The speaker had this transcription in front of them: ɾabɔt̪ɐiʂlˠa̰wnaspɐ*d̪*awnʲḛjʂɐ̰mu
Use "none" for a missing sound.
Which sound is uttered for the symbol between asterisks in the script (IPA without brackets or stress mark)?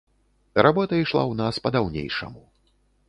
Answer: d̪